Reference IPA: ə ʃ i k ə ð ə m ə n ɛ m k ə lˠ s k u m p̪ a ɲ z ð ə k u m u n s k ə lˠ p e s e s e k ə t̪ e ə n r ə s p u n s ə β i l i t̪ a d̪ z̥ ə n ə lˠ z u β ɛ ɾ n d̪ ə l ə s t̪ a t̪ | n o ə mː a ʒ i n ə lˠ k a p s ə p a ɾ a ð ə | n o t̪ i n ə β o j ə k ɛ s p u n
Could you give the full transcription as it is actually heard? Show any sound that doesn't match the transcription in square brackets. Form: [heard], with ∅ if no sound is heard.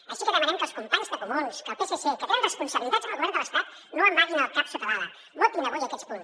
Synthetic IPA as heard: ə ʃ i k ə ð ə m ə n ɛ m k ə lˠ s k u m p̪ a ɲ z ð ə k u m u n s k ə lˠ p e s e s e k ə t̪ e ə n r ə s p u n s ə β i l i t̪ a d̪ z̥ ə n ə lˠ [ɣ] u β ɛ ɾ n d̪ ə l ə s t̪ a t̪ | n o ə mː a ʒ i n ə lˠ k a p s ə p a ɾ a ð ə | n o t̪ i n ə β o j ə k ɛ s p u n